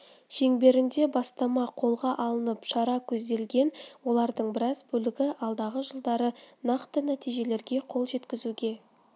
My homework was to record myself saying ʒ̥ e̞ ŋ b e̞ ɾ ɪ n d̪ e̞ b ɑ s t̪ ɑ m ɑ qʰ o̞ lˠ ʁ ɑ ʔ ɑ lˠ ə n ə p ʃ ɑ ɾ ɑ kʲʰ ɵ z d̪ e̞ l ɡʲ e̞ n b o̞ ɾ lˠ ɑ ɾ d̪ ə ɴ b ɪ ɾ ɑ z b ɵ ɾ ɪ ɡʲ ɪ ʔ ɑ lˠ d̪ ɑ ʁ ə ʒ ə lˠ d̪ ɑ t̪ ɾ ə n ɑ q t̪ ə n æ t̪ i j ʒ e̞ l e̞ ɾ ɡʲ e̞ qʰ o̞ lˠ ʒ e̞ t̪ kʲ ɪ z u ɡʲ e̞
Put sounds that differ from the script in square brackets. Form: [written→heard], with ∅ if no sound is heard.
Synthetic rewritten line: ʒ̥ e̞ ŋ b e̞ ɾ ɪ n d̪ e̞ b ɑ s t̪ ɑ m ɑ qʰ o̞ lˠ ʁ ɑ ʔ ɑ lˠ ə n ə p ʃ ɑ ɾ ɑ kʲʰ ɵ z d̪ e̞ l ɡʲ e̞ n [b→w] o̞ [ɾ→∅] lˠ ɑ ɾ d̪ ə ɴ b ɪ ɾ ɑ z b ɵ [ɾ→l] ɪ ɡʲ ɪ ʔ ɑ lˠ d̪ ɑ ʁ ə ʒ ə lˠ d̪ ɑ [t̪→∅] ɾ ə n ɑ q t̪ ə n æ t̪ i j ʒ e̞ l e̞ ɾ ɡʲ e̞ qʰ o̞ lˠ ʒ e̞ t̪ kʲ ɪ z u ɡʲ e̞